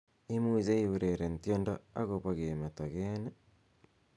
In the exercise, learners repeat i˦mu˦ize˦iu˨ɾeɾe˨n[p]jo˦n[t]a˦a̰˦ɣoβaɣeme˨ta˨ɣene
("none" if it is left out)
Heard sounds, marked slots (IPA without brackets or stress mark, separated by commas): t, d